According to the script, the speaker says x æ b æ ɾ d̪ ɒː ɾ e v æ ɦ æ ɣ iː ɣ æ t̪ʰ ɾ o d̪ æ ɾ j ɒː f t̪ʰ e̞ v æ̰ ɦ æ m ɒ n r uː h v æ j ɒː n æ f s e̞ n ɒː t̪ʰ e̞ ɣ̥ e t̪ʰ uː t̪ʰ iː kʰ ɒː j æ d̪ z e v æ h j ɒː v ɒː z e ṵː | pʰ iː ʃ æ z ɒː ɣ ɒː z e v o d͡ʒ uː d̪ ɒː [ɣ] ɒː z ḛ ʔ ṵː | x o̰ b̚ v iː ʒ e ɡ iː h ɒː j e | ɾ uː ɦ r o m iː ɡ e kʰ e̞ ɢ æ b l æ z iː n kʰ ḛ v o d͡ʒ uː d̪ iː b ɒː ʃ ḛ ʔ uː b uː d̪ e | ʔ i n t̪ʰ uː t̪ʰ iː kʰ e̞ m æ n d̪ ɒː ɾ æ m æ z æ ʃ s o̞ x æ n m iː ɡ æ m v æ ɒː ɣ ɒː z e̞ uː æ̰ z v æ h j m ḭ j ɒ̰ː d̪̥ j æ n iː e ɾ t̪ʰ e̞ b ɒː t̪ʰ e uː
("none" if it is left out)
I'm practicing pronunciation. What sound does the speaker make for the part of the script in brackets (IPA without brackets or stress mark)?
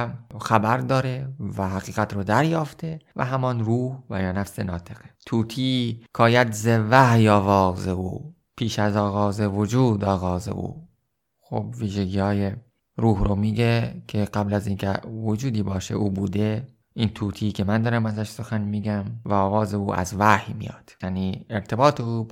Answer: ɣ